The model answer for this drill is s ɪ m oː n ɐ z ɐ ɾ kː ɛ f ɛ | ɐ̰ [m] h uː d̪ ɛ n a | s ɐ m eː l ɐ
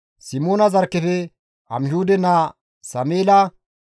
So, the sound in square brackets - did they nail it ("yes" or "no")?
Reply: yes